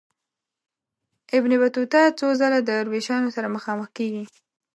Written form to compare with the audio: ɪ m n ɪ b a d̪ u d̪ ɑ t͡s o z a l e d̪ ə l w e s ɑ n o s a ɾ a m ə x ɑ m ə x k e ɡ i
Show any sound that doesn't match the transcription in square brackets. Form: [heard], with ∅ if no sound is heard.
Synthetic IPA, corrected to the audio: ɪ [b] n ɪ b a [t̪] u [t̪] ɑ t͡s o z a l [a] d̪ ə [ɾ] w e [ʃ] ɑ n o s a ɾ a m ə x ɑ m ə x k e ɡ i